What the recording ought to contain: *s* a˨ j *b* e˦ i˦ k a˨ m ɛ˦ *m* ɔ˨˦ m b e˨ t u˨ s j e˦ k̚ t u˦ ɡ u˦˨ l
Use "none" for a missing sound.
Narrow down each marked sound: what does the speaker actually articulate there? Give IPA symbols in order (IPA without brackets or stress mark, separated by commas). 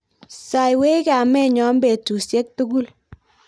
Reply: s, w, ɲ